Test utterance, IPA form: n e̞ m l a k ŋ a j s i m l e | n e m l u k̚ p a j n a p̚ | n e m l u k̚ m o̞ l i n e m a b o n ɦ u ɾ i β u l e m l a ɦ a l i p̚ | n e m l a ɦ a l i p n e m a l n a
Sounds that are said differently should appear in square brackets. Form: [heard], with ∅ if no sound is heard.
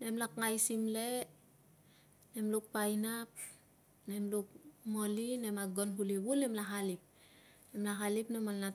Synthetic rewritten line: n e̞ m l a k ŋ a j s i m l e | n e m l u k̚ p a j n a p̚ | n e m l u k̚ m o̞ l i n e m a [ɡ] o n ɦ u [l] i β u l e m l a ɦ a l i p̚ | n e m l a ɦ a l i p n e m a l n a